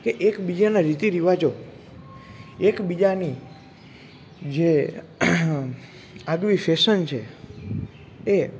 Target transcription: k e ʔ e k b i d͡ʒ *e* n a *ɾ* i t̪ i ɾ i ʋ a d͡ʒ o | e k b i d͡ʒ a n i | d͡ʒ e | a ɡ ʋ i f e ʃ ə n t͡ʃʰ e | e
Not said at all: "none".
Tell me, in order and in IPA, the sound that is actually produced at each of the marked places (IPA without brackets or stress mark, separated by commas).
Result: a, ɾ